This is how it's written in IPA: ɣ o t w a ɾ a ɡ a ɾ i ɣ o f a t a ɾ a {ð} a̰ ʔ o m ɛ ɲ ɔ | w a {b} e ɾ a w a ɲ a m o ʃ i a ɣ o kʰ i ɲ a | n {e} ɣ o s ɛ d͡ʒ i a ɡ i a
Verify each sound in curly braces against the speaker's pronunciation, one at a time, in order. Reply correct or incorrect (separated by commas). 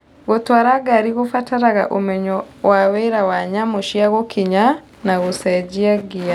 incorrect, incorrect, incorrect